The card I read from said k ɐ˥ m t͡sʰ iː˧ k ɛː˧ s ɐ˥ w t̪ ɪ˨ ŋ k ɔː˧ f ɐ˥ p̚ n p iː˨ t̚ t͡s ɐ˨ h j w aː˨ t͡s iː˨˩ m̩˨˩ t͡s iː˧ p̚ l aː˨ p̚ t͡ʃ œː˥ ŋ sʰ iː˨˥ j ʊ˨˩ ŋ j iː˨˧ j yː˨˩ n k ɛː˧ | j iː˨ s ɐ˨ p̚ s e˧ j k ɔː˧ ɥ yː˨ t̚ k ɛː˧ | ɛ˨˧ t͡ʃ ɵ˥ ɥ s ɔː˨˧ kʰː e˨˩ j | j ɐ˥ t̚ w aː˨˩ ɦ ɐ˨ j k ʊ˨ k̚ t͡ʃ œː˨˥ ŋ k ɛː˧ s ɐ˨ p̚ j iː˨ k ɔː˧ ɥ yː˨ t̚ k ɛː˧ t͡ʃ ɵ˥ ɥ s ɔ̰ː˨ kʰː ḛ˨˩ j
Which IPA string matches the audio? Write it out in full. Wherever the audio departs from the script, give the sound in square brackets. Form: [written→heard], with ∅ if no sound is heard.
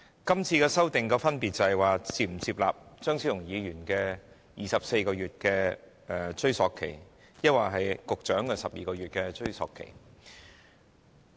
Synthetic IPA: k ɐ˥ m t͡sʰ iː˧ k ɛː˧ s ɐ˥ w t̪ ɪ˨ ŋ k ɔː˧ f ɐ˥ [p̚→∅] n p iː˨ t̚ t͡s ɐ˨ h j w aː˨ t͡s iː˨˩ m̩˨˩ t͡s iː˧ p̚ l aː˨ p̚ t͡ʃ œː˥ ŋ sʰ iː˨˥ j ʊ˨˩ ŋ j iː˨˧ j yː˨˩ n k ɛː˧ | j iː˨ s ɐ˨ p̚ s e˧ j k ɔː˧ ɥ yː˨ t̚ k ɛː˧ | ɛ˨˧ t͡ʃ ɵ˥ ɥ s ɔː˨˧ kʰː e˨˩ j | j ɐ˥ t̚ w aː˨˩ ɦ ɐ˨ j k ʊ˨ k̚ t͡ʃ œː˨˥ ŋ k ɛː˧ s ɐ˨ p̚ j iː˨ k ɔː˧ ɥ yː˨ t̚ k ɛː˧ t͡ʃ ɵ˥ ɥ s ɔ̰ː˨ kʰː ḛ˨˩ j